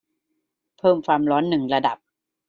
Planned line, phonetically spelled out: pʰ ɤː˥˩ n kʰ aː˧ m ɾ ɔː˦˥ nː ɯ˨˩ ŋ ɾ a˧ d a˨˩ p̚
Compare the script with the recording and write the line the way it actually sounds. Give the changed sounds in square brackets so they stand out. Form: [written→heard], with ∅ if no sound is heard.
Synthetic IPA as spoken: pʰ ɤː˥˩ [n→m] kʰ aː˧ m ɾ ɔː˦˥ nː ɯ˨˩ ŋ ɾ a˧ d a˨˩ p̚